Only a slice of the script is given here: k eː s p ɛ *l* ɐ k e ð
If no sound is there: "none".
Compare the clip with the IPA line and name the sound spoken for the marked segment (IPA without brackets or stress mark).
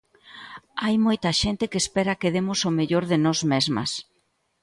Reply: ɾ